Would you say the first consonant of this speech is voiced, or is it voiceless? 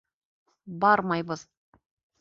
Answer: voiced